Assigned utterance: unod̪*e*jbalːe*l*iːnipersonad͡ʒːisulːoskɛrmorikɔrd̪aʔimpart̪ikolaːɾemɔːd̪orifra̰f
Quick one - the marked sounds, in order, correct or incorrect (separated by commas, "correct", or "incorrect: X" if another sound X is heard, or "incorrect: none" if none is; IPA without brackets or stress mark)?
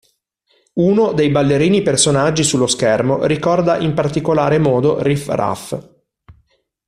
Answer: correct, incorrect: ɾ